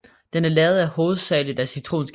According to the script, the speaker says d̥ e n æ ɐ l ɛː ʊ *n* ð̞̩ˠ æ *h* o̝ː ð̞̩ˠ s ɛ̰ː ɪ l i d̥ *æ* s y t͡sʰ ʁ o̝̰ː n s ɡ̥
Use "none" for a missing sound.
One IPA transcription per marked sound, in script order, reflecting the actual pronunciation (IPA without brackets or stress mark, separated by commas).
none, h, æ